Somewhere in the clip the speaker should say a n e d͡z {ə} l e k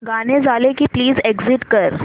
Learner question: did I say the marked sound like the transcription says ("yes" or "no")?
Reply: no